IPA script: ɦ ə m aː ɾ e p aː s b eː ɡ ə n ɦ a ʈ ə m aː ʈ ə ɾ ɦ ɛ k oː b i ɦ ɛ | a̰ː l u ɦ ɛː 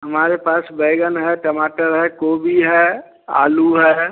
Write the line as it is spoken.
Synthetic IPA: ɦ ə m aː ɾ e p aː s b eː ɡ ə n ɦ ɛ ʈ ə m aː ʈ ə ɾ ɦ ɛ k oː b i ɦ ɛ | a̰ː l u ɦ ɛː